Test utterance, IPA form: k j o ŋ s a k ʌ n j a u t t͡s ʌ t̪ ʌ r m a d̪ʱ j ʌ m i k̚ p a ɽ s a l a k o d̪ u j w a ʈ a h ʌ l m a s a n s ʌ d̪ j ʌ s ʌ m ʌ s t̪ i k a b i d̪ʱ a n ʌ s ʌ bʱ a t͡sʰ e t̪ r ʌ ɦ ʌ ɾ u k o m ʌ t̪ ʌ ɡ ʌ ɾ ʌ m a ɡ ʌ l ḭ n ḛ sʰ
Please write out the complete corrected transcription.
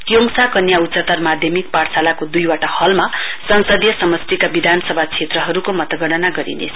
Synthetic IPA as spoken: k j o ŋ s a k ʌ n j a u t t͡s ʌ t̪ ʌ r m a d̪ʱ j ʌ m i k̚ p a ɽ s a l a k o d̪ u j w a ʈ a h ʌ l m a s ʌ n s ʌ d̪ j ʌ s ʌ m ʌ s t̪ i k a b i d̪ʱ a n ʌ s ʌ bʱ a t͡sʰ e t̪ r ʌ ɦ ʌ ɾ u k o m ʌ t̪ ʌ ɡ ʌ ɽ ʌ n a ɡ ʌ ɾ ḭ n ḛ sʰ